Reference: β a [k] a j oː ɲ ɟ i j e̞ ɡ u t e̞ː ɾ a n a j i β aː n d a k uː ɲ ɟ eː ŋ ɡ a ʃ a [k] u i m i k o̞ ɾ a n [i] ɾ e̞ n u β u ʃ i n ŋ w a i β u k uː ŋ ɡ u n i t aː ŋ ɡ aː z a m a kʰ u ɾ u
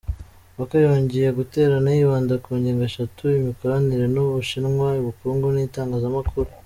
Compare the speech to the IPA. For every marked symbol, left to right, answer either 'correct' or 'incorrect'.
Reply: correct, incorrect, correct

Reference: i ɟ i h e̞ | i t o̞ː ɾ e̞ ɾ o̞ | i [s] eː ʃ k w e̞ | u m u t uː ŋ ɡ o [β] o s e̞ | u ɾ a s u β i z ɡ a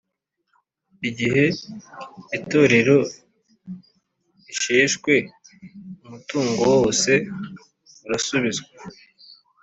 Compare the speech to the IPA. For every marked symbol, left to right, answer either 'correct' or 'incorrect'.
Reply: incorrect, incorrect

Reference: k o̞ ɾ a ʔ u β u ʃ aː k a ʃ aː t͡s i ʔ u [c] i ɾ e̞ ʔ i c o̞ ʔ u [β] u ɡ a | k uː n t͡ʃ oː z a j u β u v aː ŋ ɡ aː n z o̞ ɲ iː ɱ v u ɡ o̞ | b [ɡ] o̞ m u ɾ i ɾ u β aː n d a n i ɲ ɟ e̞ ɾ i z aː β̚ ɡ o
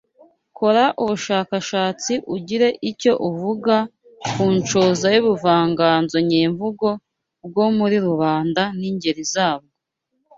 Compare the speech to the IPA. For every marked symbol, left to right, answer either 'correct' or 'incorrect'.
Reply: incorrect, incorrect, correct

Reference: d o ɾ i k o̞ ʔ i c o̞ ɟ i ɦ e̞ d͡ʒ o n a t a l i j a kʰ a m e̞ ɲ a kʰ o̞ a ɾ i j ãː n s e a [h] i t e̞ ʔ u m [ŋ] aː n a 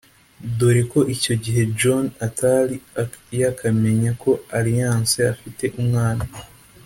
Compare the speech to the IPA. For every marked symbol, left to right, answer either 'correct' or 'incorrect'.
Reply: incorrect, correct

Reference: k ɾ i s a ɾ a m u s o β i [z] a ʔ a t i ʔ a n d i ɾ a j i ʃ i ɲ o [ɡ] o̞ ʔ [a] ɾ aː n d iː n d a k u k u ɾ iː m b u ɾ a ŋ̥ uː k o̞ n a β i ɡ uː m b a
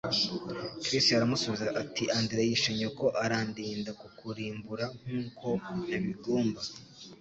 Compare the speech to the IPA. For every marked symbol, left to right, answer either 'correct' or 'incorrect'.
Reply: correct, incorrect, correct

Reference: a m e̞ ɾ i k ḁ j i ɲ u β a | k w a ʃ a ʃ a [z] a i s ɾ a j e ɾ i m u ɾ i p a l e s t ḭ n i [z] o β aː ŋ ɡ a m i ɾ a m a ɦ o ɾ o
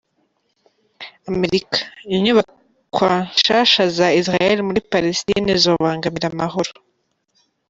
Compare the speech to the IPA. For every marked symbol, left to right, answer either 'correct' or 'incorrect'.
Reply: correct, correct

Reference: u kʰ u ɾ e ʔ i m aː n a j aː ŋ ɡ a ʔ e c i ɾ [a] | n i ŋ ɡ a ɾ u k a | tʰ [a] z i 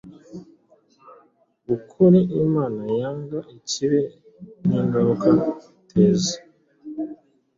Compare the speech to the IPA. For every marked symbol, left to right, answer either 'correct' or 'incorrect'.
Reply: incorrect, incorrect

